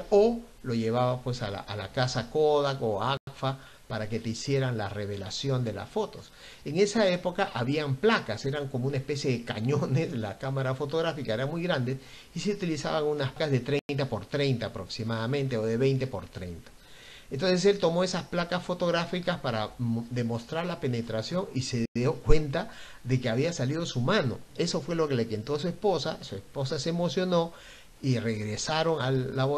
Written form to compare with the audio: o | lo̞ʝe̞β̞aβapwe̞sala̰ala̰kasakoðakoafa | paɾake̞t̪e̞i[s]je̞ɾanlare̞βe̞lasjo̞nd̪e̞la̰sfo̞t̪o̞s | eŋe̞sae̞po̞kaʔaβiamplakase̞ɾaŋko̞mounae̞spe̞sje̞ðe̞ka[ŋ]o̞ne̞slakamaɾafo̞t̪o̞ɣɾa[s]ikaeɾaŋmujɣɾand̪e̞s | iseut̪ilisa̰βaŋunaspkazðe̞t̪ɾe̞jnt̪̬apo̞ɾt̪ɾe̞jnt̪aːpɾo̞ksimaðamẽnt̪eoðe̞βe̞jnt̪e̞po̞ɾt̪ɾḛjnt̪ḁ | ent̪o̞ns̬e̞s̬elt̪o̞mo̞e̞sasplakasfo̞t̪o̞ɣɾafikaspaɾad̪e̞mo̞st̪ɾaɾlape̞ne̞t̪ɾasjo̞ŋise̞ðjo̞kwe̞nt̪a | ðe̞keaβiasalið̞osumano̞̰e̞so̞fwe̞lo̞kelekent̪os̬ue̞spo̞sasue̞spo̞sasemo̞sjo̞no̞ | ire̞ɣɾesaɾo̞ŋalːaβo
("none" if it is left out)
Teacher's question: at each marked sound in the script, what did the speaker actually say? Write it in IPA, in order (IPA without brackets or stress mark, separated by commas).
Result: s, ɲ, f